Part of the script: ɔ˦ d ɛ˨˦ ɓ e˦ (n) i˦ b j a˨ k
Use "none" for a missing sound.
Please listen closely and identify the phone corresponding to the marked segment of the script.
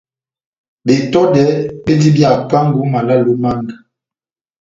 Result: d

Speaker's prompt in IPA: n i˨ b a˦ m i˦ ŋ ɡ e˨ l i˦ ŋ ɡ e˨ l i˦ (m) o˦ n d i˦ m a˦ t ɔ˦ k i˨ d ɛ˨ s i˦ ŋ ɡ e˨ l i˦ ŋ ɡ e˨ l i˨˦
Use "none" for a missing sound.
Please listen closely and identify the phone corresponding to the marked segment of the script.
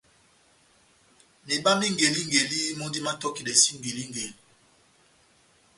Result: m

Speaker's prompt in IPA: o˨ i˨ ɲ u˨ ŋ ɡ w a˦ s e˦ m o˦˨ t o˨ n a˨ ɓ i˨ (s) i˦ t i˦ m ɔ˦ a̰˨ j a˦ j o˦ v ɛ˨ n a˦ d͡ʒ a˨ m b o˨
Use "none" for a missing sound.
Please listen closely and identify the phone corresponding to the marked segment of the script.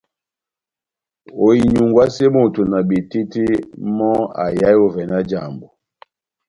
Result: t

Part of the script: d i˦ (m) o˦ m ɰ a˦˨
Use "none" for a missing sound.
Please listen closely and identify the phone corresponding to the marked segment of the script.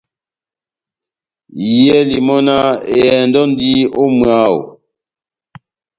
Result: none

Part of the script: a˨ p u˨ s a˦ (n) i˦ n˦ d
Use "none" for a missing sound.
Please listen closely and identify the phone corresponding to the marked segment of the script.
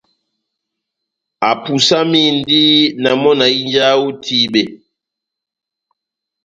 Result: m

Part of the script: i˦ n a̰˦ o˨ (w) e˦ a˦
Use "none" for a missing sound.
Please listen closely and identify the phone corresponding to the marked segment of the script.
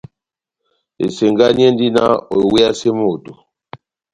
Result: w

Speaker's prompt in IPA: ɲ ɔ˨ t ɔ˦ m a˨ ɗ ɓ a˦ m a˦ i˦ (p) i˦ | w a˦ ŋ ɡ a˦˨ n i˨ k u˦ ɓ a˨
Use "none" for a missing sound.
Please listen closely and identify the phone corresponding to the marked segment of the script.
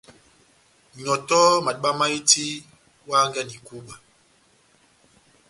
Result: t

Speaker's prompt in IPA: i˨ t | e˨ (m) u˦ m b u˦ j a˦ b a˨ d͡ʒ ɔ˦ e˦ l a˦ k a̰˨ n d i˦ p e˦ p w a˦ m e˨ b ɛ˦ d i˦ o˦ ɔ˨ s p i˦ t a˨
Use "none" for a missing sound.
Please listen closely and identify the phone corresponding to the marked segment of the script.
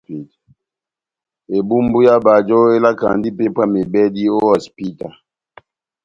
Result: b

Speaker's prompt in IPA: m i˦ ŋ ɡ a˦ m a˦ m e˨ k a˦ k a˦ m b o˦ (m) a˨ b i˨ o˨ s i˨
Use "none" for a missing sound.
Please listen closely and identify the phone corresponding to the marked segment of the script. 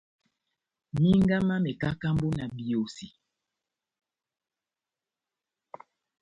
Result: n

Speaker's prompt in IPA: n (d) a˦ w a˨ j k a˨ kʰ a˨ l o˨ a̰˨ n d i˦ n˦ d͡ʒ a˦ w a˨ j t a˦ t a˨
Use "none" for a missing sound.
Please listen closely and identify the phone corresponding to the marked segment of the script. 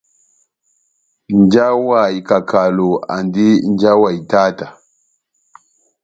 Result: d͡ʒ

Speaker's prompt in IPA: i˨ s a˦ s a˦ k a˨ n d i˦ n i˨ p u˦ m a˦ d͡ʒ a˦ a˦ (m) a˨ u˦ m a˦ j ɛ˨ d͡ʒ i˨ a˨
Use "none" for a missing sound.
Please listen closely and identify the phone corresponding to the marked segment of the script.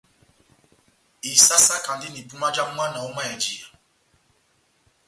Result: n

